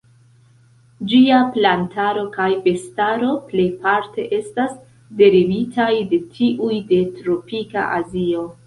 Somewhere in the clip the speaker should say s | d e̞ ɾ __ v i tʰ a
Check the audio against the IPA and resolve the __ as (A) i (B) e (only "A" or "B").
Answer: A